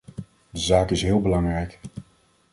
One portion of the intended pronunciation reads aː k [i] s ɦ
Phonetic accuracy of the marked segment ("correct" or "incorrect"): incorrect